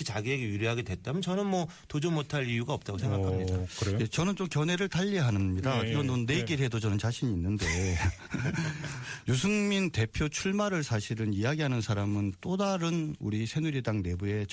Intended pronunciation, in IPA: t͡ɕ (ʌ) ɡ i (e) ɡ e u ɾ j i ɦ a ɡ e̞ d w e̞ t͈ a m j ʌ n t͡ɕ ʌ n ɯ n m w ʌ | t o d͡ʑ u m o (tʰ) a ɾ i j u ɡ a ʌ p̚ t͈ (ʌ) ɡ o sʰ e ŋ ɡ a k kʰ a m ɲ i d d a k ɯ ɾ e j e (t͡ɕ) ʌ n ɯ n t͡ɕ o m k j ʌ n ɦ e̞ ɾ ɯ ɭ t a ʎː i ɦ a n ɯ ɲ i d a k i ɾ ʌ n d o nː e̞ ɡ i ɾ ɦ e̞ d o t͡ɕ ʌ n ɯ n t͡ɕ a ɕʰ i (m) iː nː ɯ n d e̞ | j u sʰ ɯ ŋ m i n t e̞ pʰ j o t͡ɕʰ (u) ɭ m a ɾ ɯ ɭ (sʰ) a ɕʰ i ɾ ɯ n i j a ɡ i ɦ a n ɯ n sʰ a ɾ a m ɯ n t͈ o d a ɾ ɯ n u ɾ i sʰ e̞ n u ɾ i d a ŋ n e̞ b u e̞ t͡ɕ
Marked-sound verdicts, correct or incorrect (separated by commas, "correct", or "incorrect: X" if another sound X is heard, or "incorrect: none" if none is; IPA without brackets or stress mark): incorrect: a, correct, correct, incorrect: a, correct, incorrect: ɲ, correct, correct